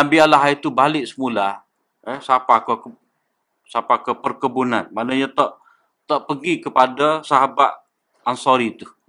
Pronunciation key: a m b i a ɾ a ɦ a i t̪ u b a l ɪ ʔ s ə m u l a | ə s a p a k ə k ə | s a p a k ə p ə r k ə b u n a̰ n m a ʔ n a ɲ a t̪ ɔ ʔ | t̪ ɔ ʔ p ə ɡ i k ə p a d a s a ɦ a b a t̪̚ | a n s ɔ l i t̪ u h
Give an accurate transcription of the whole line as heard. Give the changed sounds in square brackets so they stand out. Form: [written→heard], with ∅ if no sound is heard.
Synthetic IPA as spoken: a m b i a [ɾ→l] a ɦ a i t̪ u b a l ɪ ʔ s ə m u l a | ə s a p a k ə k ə | s a p a k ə p ə r k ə b u n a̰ n m a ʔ n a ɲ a t̪ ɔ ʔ | t̪ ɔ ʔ p ə ɡ i k ə p a d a s a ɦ a b a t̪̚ | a n s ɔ [l→ɾ] i t̪ u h